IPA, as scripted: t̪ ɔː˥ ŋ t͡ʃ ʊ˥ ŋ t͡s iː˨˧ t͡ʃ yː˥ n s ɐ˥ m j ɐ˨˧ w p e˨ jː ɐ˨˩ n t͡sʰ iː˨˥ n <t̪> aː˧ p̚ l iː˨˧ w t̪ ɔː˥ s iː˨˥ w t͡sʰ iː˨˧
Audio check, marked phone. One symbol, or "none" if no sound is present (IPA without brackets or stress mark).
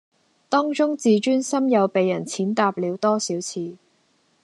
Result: t̪